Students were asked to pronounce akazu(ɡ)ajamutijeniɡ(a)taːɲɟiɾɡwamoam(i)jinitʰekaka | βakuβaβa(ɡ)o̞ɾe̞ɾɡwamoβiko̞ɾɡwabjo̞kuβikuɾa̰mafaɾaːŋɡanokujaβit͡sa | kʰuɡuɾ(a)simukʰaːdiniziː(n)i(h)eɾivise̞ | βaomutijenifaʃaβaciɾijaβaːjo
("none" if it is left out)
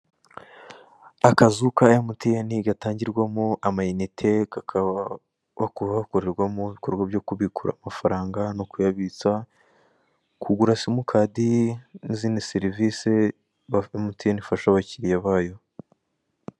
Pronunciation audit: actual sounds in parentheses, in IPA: k, a, a, k, a, n, s

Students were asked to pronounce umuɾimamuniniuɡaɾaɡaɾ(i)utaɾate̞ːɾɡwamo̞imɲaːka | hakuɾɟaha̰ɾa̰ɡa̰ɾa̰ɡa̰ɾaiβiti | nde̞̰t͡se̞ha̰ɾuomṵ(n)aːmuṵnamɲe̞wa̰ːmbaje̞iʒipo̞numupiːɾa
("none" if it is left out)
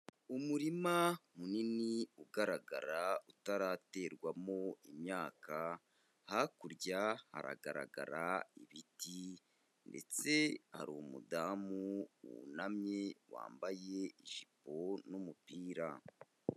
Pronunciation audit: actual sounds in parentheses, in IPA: a, d

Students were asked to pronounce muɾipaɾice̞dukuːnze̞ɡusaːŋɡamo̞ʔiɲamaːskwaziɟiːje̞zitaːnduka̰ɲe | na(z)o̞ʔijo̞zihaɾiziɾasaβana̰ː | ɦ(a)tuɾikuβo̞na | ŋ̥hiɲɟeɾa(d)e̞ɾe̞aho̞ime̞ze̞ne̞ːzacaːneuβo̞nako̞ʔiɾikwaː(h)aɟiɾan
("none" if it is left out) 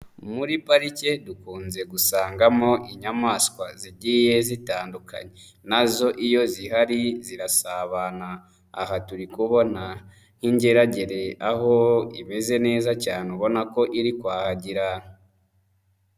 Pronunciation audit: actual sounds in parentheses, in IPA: z, a, ɟ, h

